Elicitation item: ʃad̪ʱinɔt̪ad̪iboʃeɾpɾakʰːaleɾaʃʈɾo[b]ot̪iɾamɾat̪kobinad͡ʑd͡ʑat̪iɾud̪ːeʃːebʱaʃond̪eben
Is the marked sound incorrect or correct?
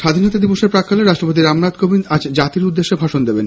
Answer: incorrect